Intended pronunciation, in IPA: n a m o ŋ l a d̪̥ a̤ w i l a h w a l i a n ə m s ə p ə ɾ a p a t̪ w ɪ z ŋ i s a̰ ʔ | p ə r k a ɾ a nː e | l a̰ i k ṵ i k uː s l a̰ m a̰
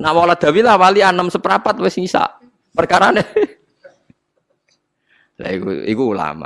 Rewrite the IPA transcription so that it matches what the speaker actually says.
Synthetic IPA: n a m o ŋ l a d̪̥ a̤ w i l a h w a l i a n ə m s ə p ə ɾ a p a t̪ w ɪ s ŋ i s a̰ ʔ | p ə r k a ɾ a n e | l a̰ i k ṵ i k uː l a̰ m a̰